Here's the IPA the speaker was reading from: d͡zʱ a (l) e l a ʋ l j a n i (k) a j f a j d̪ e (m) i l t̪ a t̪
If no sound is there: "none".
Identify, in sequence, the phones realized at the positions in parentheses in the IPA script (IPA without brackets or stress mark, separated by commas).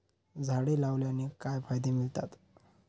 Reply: ɽ, k, m